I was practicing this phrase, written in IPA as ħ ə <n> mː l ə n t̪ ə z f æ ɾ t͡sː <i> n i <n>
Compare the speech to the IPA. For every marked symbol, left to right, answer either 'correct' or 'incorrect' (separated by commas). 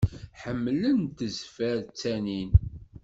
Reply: incorrect, incorrect, correct